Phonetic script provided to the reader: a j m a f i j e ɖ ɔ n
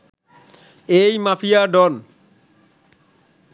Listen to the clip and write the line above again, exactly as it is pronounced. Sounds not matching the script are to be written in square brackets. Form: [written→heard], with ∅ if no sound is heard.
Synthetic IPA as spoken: [a→e] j m a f i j [e→a] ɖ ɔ n